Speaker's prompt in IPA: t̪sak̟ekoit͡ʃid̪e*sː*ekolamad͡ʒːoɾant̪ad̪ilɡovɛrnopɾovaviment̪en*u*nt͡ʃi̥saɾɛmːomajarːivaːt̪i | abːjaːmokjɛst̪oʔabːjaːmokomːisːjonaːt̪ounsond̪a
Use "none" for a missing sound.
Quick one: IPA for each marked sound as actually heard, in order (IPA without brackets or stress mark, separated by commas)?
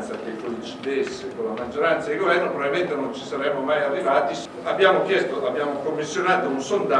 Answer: sː, o